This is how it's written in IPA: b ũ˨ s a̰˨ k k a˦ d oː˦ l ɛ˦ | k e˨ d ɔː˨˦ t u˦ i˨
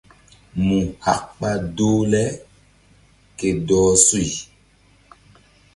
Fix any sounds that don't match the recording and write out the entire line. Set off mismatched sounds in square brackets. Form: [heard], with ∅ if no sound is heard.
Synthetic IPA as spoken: [m] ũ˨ [h] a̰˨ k [k͡p] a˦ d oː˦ l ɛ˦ | k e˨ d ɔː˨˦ [s] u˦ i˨

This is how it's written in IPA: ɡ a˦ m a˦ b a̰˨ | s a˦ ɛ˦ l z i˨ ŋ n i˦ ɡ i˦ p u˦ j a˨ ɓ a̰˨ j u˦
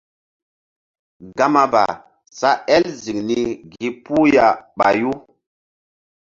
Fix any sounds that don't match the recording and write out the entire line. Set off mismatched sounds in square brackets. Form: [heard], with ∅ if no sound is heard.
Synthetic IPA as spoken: ɡ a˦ m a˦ b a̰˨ | s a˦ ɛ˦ l z i˨ ŋ n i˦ ɡ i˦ p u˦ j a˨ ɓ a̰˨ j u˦

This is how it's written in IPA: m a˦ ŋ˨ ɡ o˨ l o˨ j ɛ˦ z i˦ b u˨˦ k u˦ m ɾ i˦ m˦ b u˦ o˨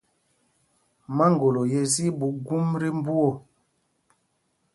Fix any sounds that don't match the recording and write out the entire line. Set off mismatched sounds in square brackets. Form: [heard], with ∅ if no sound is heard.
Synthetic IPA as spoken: m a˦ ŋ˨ ɡ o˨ l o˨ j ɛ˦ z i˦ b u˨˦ [ɡ] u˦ m ɾ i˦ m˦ b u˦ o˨

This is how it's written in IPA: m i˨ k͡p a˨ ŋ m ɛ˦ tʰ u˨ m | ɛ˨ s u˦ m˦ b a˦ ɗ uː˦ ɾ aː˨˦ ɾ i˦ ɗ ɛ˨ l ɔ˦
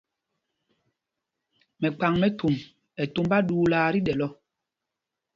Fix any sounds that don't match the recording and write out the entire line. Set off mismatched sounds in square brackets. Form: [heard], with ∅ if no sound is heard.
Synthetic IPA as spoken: m [ɛ˨] k͡p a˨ ŋ m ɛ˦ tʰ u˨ m | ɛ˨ [t] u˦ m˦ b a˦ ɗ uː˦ [l] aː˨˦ ɾ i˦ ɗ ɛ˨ l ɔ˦

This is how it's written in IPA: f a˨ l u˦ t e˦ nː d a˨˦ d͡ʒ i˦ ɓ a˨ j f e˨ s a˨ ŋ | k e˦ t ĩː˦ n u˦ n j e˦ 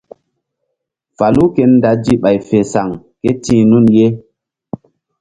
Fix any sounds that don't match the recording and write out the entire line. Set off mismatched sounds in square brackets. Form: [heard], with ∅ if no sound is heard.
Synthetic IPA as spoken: f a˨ l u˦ [k] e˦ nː d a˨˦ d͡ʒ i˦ ɓ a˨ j f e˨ s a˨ ŋ | k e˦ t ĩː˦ n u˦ n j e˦

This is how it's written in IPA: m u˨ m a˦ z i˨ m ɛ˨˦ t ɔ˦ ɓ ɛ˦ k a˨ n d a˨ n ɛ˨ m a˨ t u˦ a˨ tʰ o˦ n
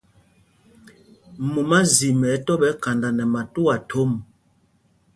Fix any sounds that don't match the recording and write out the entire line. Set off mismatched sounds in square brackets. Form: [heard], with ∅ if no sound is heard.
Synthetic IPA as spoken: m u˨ m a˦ z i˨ m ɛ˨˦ t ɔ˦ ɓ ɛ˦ k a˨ n d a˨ n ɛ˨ m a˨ t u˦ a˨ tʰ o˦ [m]

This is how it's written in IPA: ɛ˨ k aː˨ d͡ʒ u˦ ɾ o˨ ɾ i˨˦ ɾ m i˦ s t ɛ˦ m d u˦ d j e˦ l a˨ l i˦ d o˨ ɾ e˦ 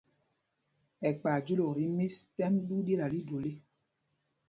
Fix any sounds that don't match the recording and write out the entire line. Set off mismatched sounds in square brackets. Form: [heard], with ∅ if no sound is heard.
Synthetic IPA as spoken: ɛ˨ [k͡p] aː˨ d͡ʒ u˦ [l] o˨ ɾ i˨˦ [∅] m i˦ s t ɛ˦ m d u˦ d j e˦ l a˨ l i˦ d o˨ [l] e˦

